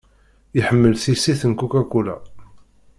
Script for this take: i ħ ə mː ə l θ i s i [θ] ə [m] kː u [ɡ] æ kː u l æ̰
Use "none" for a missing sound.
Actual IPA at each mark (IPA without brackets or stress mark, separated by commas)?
θ, n, k